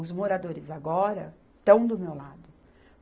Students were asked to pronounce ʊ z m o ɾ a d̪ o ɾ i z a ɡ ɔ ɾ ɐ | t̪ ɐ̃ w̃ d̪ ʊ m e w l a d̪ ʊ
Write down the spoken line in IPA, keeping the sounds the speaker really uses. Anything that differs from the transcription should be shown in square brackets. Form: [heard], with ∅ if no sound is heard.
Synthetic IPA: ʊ z m o ɾ a d̪ o ɾ [ɪ] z a ɡ ɔ ɾ ɐ | t̪ ɐ̃ w̃ d̪ ʊ m e w l a d̪ ʊ